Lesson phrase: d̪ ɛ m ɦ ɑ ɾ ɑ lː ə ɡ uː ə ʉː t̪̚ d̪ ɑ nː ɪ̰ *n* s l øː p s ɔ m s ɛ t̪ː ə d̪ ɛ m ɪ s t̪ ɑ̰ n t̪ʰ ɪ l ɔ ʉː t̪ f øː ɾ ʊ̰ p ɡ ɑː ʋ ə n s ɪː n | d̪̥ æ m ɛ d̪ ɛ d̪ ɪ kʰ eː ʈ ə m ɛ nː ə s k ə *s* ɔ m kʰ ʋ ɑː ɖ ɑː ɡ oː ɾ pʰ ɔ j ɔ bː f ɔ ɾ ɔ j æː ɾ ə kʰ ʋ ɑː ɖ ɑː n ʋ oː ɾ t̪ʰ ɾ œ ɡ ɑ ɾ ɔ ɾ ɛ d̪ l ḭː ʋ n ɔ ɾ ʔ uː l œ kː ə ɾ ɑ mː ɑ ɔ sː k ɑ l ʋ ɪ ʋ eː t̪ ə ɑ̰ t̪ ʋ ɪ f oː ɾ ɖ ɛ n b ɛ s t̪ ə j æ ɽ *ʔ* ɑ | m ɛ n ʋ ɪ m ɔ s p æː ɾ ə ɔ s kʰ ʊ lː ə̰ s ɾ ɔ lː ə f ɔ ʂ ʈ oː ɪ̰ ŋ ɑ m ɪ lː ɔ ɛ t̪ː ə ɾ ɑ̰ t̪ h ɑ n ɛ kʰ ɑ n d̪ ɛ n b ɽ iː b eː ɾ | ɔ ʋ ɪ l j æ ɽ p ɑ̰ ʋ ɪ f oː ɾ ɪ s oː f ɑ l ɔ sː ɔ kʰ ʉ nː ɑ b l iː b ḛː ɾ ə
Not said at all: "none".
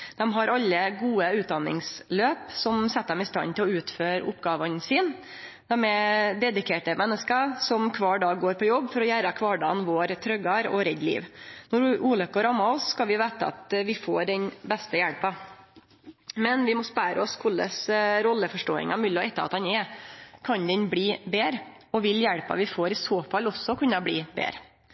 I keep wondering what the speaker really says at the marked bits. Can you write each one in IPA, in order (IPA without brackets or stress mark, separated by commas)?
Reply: ŋ, s, p